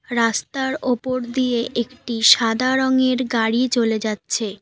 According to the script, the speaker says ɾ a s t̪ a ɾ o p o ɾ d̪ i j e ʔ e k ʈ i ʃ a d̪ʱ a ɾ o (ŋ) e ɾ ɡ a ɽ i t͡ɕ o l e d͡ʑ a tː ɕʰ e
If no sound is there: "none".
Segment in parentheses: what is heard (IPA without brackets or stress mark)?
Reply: ŋ